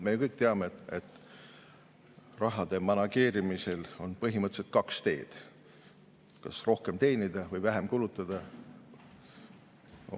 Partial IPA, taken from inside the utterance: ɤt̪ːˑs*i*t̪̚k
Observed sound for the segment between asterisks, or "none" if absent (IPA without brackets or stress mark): e